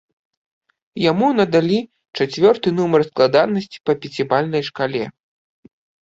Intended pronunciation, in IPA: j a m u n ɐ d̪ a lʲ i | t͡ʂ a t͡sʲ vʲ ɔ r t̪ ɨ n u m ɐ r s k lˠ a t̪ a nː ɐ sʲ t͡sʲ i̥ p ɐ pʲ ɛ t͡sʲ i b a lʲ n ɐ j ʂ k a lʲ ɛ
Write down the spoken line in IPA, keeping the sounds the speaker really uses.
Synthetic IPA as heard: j a m u n ɐ d̪ a lʲ i | t͡ʂ a t͡sʲ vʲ ɔ r t̪ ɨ n u m ɐ r s k lˠ a d̪ a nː ɐ sʲ t͡sʲ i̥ p ɐ pʲ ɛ t͡sʲ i b a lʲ n ɐ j ʂ k a lʲ ɛ